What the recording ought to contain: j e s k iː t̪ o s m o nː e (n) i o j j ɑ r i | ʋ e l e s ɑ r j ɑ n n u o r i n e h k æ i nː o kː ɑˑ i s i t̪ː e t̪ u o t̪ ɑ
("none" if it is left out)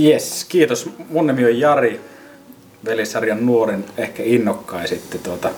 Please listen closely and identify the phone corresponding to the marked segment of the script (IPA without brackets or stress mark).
m